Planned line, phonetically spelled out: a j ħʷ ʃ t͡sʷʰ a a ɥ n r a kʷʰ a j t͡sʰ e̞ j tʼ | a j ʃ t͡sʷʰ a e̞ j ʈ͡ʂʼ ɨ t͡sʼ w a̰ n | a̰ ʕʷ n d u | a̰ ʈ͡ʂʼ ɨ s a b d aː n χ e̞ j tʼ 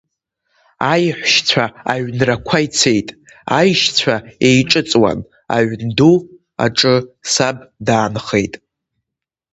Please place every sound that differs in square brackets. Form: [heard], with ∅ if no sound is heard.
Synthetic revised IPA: a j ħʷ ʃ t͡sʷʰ a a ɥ n r a kʷʰ a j t͡sʰ e̞ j tʼ | a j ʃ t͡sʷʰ a e̞ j ʈ͡ʂʼ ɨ t͡sʼ w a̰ n | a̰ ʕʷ n d u | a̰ ʈ͡ʂʼ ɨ s a b d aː n χ e̞ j tʼ